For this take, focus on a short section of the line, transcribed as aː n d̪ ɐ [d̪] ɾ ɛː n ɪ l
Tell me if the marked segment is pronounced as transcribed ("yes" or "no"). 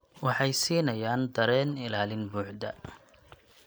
no